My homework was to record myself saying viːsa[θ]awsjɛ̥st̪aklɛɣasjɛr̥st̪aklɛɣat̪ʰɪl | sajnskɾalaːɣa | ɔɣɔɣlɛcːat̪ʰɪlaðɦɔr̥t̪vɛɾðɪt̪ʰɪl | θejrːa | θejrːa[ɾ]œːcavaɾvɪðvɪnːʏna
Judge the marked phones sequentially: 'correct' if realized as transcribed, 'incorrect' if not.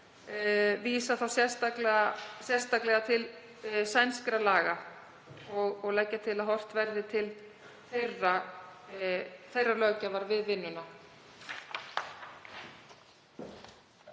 correct, incorrect: l

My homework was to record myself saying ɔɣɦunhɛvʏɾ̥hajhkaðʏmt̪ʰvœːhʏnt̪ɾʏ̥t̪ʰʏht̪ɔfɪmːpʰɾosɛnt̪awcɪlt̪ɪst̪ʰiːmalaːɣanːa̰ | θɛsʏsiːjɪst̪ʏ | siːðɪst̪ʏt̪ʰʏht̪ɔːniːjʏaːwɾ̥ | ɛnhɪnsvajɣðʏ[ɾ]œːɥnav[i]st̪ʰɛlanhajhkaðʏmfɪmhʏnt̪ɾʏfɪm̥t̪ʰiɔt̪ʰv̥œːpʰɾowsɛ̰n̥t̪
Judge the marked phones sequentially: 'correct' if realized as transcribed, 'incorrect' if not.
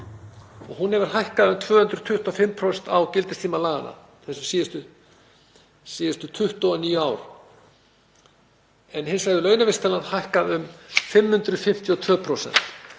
incorrect: l, incorrect: ɪ

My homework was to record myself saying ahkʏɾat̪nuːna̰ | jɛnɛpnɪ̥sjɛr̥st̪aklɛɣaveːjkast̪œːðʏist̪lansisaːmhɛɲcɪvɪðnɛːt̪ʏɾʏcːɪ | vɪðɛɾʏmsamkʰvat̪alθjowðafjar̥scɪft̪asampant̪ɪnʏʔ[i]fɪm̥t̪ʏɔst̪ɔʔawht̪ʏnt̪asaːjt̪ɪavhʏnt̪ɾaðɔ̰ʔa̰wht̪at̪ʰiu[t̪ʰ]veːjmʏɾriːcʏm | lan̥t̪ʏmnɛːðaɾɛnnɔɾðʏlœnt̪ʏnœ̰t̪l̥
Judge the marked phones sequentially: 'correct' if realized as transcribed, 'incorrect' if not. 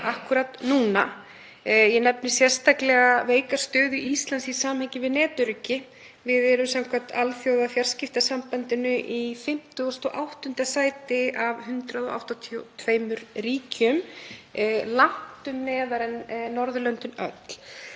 correct, correct

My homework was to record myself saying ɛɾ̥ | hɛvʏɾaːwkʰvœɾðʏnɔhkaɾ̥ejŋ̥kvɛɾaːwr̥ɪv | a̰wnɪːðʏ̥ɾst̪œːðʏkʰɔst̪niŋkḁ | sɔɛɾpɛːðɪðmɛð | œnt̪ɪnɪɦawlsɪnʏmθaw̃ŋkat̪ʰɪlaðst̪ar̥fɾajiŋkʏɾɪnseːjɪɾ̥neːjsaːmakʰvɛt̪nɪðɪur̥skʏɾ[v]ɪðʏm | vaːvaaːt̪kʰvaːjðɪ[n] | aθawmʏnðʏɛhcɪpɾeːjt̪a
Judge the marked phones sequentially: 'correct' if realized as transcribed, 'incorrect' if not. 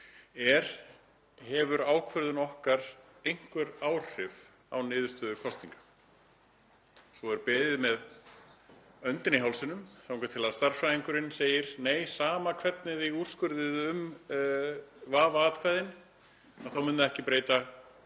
incorrect: ð, correct

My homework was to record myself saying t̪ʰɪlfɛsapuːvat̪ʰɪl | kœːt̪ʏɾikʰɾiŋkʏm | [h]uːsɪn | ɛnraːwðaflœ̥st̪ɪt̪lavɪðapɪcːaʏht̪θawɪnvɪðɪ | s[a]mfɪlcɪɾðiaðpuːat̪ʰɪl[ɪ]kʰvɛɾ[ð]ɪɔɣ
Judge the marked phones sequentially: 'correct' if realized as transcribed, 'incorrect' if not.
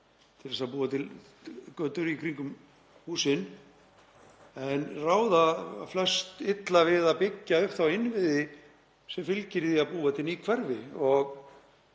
correct, incorrect: ɛ, incorrect: i, incorrect: v

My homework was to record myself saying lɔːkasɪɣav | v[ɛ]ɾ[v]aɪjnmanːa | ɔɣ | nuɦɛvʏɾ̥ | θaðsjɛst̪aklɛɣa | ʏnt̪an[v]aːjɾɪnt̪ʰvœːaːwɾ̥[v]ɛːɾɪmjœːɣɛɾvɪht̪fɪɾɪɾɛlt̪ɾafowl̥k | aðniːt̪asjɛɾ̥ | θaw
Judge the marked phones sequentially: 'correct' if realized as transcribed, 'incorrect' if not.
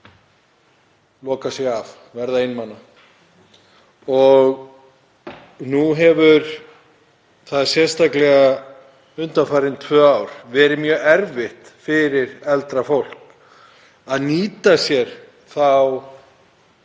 correct, incorrect: ð, incorrect: f, correct

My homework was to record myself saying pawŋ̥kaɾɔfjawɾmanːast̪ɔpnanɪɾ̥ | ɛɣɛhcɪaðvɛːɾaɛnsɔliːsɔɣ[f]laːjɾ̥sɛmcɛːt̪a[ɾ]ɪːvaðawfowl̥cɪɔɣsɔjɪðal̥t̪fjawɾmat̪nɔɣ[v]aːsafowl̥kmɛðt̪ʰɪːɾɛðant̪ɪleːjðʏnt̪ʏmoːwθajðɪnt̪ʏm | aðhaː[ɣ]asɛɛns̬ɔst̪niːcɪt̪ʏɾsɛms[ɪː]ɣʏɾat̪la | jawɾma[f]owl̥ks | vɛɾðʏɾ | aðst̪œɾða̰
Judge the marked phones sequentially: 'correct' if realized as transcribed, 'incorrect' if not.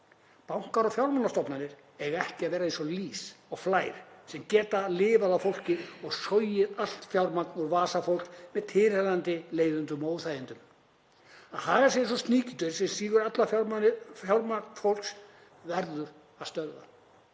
correct, incorrect: l, correct, correct, incorrect: iː, correct

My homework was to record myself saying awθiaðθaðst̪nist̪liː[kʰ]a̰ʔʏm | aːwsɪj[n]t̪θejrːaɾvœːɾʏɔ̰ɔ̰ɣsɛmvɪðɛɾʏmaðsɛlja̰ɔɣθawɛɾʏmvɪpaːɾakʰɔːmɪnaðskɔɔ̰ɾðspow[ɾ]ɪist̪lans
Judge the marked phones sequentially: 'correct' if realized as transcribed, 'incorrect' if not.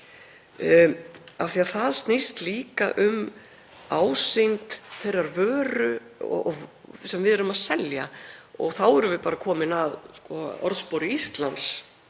incorrect: k, correct, correct

